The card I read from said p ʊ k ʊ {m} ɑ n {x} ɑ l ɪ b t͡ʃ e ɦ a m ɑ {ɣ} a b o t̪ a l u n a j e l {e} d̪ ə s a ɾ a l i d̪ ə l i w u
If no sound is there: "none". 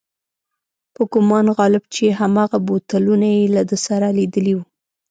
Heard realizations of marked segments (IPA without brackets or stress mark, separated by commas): m, ɣ, ɣ, a